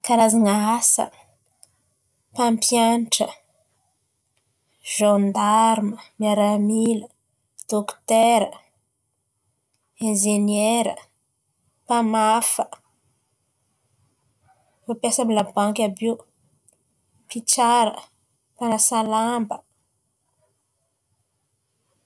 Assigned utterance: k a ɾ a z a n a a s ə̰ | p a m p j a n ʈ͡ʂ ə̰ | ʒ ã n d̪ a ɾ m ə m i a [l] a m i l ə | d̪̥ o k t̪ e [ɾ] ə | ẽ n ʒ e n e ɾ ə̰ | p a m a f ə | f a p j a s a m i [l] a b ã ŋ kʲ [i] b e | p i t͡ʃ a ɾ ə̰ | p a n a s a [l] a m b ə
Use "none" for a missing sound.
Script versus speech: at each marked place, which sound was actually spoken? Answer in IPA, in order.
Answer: ɾ, ɾ, l, a, l

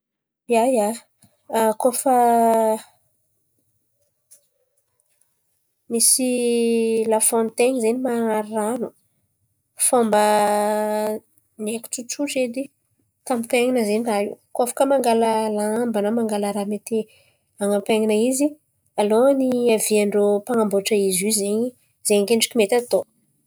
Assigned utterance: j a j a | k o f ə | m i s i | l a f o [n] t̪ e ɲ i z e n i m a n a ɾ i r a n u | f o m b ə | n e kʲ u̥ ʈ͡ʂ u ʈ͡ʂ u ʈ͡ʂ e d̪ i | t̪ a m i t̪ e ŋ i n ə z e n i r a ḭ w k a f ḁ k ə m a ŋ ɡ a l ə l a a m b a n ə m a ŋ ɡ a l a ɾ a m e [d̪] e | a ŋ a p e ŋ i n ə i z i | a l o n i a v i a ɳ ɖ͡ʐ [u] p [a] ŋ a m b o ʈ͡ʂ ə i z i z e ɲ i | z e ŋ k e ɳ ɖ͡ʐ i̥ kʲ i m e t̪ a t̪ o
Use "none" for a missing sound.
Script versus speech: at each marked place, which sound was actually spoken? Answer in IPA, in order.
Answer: n, t̪, o, a

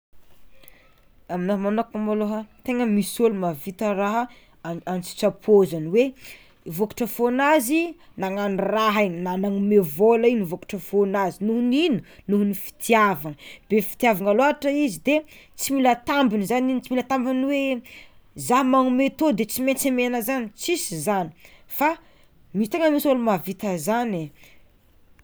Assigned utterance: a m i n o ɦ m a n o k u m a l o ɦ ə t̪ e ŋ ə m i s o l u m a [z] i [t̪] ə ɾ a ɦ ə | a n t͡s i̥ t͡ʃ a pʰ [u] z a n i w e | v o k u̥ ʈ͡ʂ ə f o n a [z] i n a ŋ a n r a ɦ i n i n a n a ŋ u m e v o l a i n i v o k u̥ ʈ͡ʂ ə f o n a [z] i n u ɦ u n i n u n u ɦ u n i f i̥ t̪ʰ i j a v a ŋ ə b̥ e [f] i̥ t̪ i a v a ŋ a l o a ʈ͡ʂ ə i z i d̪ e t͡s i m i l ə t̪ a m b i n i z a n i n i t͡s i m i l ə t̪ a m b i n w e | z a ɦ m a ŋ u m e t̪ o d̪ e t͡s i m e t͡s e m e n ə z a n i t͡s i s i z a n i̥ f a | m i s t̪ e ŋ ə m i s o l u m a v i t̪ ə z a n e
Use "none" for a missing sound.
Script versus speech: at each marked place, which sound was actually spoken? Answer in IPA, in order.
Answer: v, t̪, o, z, z, f

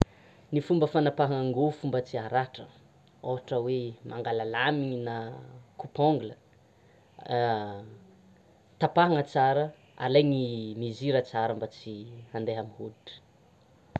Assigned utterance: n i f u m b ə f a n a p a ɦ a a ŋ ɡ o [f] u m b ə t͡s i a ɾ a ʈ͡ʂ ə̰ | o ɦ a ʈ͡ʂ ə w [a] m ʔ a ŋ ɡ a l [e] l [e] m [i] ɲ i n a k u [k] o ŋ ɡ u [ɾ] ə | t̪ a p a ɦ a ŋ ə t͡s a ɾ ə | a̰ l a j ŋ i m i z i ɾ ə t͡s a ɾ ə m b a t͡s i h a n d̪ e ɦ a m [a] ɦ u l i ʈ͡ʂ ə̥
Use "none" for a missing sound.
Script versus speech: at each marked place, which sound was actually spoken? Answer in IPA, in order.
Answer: f, e, a, a, i, p, l, i

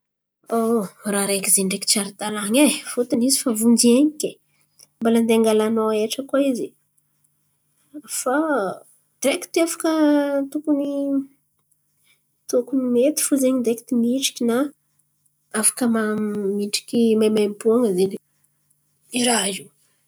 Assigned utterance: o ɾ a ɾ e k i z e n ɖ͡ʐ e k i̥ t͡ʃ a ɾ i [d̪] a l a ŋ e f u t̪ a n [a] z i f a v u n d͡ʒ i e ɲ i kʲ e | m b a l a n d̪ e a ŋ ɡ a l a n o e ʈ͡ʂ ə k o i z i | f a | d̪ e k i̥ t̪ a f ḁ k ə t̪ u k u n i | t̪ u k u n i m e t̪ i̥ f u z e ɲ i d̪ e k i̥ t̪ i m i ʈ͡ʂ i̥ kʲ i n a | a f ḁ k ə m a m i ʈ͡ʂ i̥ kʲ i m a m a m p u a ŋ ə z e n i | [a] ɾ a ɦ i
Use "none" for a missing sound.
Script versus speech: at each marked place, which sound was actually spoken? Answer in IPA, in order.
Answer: t̪, i, i

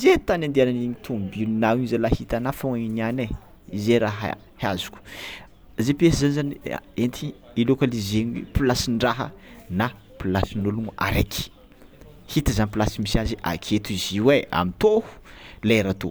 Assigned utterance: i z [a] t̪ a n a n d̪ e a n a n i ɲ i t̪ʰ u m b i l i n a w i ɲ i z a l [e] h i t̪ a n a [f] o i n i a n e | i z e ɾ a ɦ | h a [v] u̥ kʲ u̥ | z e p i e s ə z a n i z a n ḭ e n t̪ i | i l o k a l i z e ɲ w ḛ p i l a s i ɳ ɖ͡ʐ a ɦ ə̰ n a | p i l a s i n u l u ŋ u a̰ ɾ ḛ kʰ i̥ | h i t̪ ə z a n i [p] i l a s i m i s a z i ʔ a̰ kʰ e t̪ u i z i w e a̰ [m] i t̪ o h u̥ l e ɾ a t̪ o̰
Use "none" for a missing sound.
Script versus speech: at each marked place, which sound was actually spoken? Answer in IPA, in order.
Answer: e, a, f, z, p, m

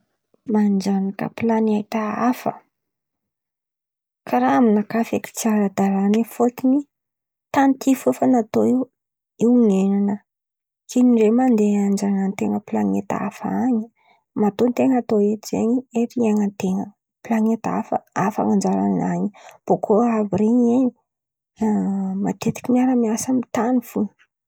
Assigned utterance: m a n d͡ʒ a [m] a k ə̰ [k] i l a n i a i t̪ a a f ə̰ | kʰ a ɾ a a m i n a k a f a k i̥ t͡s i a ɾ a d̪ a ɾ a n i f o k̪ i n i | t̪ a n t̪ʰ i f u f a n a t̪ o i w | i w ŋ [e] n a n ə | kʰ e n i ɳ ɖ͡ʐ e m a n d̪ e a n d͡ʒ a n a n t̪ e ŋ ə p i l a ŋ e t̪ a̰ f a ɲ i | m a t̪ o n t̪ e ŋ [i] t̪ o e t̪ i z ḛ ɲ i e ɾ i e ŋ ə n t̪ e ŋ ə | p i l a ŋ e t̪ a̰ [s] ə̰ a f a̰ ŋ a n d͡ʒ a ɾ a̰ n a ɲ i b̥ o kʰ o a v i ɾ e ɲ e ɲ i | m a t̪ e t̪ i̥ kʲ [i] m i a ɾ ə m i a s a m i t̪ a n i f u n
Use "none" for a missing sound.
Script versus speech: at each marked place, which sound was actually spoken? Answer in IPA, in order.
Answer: n, p, e, a, f, i

